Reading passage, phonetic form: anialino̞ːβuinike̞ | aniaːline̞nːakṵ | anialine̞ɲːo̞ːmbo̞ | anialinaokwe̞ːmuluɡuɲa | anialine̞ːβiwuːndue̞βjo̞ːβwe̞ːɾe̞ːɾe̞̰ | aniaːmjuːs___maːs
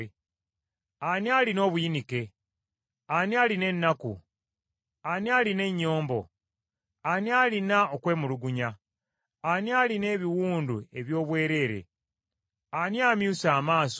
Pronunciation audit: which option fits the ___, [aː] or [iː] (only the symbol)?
aː